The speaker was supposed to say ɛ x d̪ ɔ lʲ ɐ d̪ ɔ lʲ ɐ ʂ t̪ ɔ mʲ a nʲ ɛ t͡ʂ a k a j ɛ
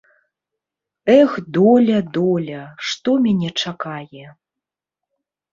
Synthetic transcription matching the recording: ɛ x d̪ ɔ lʲ ɐ d̪ ɔ lʲ ɐ ʂ t̪ ɔ mʲ a nʲ ɛ t͡ʂ a k a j ɛ

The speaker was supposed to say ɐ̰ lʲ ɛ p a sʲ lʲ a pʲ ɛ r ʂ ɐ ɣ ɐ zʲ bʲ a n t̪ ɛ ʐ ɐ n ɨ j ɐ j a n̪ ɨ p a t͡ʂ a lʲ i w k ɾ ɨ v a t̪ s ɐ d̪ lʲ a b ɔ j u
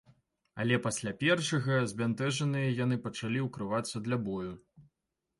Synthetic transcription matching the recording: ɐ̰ lʲ ɛ p a sʲ lʲ a pʲ ɛ r ʂ ɐ ɣ ɐ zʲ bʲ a n t̪ ɛ ʐ ɐ n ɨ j ɐ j a n̪ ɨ p ɐ t͡ʂ a lʲ i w k ɾ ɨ v a t̪ sː ɐ d̪ lʲ a b ɔ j u

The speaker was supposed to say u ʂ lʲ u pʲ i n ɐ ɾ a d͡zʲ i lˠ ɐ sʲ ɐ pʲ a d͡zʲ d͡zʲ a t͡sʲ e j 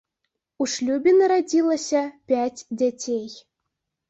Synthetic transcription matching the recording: u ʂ lʲ u bʲ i n ɐ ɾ a d͡zʲ i lˠ ɐ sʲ ɐ pʲ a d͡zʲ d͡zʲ a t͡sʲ e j

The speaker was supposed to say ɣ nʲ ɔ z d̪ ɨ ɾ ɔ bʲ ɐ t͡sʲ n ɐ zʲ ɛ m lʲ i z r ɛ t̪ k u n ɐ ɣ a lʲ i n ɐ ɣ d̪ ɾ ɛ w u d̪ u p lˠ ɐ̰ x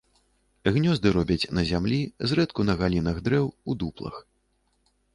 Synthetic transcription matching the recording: ɣ nʲ ɔ z d̪ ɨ ɾ ɔ bʲ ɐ t͡sʲ n ɐ zʲ a m lʲ i z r ɛ t̪ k u n ɐ ɣ a lʲ i n ɐ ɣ d̪ ɾ ɛ w u d̪ u p lˠ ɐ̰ x

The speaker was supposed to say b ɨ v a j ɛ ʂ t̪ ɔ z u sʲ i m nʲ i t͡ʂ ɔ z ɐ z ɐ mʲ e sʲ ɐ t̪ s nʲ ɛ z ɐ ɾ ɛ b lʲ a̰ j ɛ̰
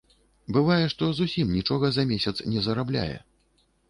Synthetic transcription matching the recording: b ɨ v a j ɛ ʂ t̪ ɔ z u sʲ i m nʲ i t͡ʂ ɔ ɣ ɐ z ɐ mʲ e sʲ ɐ t̪ s nʲ ɛ z ɐ ɾ a b lʲ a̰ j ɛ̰

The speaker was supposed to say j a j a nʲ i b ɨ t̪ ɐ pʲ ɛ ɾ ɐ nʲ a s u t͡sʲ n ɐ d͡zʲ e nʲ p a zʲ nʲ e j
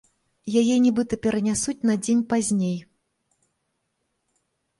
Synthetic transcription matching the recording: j a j ɛ nʲ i b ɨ t̪ ɐ pʲ ɛ ɾ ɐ nʲ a s u t͡sʲ n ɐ d͡zʲ e nʲ p a zʲ nʲ e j

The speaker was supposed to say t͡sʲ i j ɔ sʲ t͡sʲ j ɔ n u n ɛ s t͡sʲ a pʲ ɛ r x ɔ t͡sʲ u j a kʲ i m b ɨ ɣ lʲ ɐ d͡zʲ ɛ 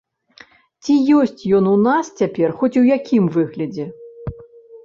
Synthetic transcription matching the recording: t͡sʲ i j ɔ sʲ t͡sʲ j ɔ n u n a s t͡sʲ a pʲ ɛ r x ɔ t͡sʲ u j a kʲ i m v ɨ ɣ lʲ ɐ d͡zʲ ɛ

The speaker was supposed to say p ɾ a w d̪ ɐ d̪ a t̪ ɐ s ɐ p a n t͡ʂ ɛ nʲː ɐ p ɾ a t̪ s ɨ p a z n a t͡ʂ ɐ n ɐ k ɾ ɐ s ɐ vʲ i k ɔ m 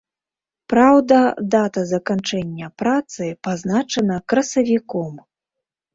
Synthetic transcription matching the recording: p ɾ a w d̪ ɐ d̪ a t̪ ɐ z ɐ k a n t͡ʂ ɛ nʲː ɐ p ɾ a t̪ s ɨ p a z n a t͡ʂ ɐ n ɐ k ɾ ɐ s ɐ vʲ i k ɔ m

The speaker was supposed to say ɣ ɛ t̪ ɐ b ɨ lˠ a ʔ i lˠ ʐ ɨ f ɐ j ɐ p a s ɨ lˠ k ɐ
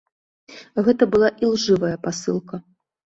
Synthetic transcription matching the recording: ɣ ɛ t̪ ɐ b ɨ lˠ a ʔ i lˠ ʐ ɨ v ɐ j ɐ p a s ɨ lˠ k ɐ

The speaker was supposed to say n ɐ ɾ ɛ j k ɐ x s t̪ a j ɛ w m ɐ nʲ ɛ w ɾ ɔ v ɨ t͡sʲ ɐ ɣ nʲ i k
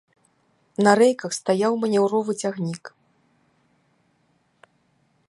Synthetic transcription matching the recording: n ɐ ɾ ɛ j k ɐ x s t̪ a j a w m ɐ nʲ ɛ w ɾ ɔ v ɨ t͡sʲ a ɣ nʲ i k

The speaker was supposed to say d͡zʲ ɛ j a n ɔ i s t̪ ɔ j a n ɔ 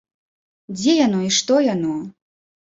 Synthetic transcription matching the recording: d͡zʲ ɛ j a n ɔ i ʂ t̪ ɔ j a n ɔ

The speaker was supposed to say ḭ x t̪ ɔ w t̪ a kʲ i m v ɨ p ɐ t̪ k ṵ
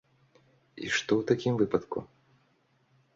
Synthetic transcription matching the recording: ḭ ʂ t̪ ɔ w t̪ a kʲ i m v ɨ p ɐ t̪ k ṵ

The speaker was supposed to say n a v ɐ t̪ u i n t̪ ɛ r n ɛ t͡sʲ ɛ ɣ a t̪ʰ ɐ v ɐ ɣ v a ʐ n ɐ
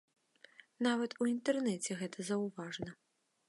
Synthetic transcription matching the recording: n a v ɐ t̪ u i n t̪ ɛ r n ɛ t͡sʲ ɛ ɣ ɛ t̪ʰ ɐ z ɐ w v a ʐ n ɐ

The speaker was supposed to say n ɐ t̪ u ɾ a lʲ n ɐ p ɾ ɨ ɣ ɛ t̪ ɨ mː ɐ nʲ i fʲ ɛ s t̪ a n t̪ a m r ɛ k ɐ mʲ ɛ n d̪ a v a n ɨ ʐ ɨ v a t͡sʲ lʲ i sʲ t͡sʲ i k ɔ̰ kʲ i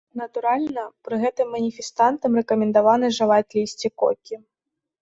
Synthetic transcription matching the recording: n ɐ t̪ u ɾ a lʲ n ɐ p ɾ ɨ ɣ ɛ t̪ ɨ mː ɐ nʲ i fʲ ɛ s t̪ a n t̪ ɐ m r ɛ k ɐ mʲ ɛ n d̪ a v a n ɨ ʐ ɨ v a t͡sʲ lʲ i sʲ t͡sʲ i k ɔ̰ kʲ i

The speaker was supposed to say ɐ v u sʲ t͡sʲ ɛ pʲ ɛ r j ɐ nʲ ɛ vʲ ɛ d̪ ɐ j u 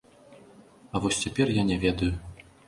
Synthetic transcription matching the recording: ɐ v ɔ sʲ t͡sʲ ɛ pʲ ɛ r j a nʲ ɛ vʲ ɛ d̪ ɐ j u

